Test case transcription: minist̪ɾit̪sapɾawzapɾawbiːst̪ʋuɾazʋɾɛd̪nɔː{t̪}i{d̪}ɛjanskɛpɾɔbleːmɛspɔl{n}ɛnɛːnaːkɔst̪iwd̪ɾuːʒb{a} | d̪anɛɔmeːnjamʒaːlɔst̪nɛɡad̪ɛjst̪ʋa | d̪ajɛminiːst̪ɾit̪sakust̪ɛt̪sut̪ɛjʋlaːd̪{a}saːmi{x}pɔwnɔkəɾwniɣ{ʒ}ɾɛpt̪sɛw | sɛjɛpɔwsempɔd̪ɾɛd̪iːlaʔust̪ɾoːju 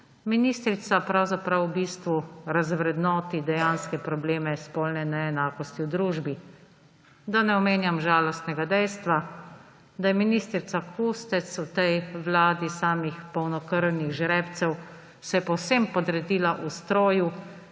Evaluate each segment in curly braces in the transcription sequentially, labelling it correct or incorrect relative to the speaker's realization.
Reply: correct, correct, correct, incorrect: i, incorrect: i, correct, correct

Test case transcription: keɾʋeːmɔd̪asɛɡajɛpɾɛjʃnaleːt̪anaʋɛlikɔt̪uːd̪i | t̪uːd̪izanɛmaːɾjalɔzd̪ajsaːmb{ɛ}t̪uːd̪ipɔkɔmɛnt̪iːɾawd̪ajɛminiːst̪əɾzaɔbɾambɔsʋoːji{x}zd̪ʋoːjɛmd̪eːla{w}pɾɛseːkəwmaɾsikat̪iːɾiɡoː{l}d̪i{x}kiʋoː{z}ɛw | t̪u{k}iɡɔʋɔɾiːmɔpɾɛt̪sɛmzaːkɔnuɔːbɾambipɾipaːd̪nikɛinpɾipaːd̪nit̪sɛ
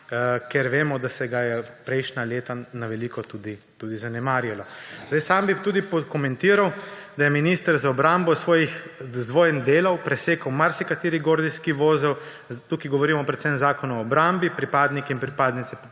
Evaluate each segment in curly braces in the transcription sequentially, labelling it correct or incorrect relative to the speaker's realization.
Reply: incorrect: i, correct, correct, incorrect: ɾ, incorrect: s, correct, correct

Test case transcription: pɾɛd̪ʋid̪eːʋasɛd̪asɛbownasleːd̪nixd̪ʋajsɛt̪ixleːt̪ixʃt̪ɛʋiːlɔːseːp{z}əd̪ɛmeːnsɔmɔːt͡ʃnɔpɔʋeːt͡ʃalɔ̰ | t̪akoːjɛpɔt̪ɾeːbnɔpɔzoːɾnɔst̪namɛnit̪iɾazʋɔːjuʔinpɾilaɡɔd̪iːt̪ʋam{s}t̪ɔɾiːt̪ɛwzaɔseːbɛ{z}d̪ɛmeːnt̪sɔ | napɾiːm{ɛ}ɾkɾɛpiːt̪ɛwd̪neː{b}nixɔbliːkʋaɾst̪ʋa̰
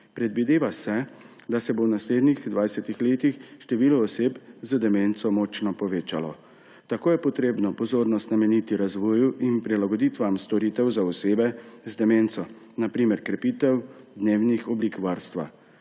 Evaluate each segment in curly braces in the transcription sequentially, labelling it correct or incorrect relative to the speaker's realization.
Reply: correct, correct, correct, correct, incorrect: w

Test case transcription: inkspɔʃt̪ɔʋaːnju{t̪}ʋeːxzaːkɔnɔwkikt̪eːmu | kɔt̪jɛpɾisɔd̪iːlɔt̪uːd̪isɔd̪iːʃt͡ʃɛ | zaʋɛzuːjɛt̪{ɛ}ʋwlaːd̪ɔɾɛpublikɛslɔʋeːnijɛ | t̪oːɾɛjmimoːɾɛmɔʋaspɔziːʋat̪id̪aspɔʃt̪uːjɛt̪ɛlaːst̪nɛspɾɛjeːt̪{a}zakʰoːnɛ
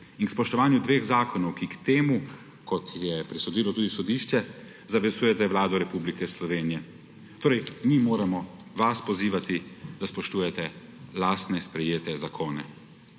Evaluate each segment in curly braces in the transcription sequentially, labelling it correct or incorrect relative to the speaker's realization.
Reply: incorrect: d̪, correct, incorrect: ɛ

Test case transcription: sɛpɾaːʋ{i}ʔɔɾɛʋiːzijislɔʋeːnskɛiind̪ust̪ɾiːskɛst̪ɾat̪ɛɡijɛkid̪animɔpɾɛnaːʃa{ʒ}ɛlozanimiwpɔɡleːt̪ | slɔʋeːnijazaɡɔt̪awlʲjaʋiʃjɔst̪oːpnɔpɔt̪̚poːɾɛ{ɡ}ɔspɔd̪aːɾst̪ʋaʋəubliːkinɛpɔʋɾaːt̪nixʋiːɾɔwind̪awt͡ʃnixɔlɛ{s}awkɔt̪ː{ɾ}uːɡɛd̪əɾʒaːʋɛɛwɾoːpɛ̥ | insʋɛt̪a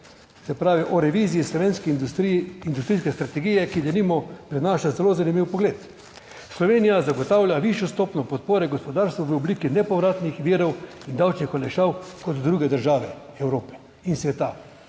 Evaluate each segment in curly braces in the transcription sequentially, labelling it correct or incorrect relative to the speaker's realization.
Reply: correct, incorrect: z, correct, incorrect: ʃ, correct

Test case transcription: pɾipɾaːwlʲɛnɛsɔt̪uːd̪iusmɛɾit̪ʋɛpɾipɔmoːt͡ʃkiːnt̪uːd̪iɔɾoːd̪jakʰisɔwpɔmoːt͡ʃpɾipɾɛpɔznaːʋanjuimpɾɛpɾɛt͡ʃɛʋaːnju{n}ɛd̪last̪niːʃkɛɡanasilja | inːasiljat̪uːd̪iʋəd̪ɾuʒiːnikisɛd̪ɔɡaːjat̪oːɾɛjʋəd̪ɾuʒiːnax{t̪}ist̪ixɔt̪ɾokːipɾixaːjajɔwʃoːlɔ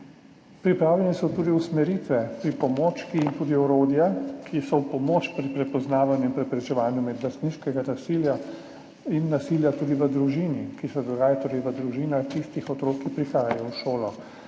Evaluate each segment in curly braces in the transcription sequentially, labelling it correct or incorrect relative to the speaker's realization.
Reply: incorrect: m, correct

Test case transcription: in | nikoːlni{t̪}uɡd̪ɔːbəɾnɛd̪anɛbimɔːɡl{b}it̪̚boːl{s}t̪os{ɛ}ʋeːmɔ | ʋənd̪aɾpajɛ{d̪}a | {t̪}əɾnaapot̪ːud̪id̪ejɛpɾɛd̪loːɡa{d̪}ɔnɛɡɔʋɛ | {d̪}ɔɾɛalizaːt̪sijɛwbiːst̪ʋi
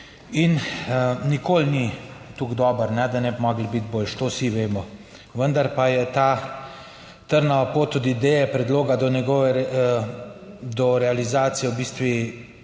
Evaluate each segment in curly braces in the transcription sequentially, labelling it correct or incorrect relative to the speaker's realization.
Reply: correct, correct, incorrect: ʃ, incorrect: i, incorrect: t̪, correct, correct, correct

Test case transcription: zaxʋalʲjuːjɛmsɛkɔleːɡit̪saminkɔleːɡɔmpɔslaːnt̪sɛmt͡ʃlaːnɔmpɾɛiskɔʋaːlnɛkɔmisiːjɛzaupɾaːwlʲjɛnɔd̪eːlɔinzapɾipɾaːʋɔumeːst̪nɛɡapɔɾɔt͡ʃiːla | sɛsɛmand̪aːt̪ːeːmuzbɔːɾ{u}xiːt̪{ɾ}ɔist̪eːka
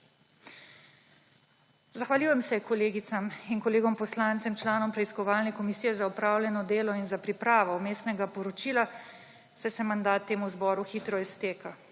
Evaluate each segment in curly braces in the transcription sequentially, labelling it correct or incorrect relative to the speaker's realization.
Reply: correct, correct

